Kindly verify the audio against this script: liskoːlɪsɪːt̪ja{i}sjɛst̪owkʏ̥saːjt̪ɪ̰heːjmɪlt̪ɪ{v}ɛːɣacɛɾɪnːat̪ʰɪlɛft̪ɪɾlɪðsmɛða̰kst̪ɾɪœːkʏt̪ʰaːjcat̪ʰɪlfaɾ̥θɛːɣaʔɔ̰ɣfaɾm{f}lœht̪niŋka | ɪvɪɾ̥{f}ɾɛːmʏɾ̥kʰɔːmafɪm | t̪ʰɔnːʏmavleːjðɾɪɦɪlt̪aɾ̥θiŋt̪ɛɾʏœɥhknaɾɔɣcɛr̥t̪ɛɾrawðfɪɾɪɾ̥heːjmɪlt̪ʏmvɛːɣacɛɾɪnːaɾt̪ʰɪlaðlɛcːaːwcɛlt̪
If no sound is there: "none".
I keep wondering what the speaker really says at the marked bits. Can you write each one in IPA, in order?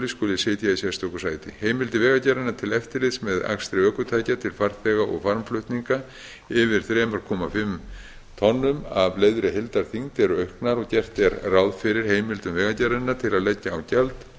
i, v, f, θ

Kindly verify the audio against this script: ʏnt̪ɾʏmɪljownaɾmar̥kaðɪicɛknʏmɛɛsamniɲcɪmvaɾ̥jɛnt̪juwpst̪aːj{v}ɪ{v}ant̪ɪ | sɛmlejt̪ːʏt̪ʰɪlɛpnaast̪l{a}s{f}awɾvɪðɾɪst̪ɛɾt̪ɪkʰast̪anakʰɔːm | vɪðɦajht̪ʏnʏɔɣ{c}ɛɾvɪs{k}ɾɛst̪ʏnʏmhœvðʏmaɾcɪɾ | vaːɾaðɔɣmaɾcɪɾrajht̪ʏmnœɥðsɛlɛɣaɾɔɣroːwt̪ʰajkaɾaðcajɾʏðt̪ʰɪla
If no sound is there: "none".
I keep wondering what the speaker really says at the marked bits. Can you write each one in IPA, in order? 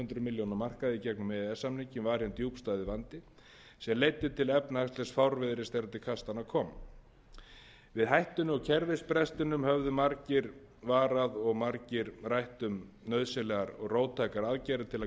ð, v, ɛ, f, cʰ, p

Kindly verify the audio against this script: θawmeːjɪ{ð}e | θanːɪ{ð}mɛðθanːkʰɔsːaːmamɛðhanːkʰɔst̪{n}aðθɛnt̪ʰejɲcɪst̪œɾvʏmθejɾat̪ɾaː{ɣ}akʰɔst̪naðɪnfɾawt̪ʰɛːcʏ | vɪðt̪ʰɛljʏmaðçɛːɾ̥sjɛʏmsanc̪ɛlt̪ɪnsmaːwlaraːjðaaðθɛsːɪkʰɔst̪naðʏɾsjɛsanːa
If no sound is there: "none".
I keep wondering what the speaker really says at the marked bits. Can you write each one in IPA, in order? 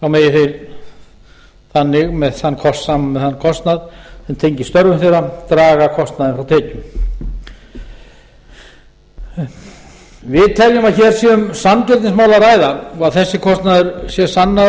θ, ɣ, n, ɣ

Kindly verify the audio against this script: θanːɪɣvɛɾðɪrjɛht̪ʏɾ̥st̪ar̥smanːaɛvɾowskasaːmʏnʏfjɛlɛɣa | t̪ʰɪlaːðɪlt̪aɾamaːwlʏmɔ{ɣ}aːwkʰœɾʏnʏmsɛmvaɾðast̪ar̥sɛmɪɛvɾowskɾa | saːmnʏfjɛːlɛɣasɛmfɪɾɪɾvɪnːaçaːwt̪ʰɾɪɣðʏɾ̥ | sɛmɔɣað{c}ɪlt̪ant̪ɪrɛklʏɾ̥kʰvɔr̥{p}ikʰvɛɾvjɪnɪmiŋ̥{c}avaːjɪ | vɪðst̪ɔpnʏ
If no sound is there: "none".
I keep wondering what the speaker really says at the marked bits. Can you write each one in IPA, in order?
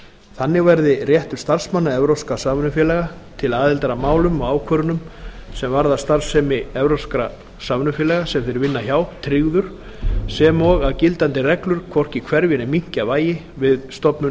ɣ, c, c, c

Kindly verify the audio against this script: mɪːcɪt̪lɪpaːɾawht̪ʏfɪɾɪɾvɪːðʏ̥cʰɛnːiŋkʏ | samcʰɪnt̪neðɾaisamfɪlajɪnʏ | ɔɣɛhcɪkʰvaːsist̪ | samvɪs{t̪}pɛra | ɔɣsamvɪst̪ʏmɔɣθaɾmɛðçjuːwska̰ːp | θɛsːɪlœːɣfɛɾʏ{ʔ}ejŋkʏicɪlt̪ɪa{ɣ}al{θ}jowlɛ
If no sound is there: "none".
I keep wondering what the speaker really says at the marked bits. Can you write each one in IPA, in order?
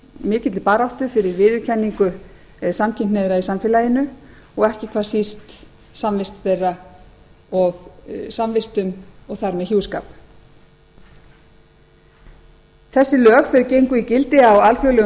t̪, c, w, f

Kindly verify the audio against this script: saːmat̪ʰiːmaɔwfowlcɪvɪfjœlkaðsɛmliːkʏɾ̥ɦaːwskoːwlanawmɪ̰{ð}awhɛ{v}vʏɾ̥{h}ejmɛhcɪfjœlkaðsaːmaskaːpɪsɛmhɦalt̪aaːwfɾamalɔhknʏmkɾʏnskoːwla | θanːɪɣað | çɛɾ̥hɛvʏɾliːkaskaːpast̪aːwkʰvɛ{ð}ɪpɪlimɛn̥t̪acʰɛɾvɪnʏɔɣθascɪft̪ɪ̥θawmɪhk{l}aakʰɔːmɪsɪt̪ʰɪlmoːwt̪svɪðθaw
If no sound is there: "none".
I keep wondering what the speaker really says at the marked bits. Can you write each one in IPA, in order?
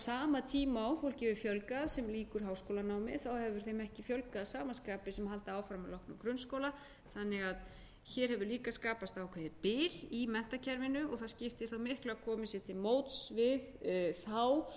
θ, v, θ, ð, l

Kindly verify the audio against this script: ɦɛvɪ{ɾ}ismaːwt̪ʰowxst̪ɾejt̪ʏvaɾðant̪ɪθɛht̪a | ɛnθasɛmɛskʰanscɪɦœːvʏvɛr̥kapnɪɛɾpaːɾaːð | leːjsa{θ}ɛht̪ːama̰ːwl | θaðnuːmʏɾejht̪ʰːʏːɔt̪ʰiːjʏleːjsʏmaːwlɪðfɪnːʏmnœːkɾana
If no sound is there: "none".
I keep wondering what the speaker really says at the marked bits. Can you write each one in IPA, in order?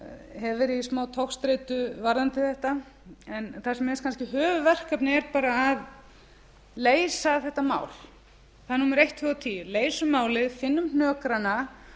ɾ, θ

